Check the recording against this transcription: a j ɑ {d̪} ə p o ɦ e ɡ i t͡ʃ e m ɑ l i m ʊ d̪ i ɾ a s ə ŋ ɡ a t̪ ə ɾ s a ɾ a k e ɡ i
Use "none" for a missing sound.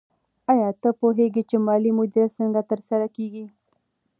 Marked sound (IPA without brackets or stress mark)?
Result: t̪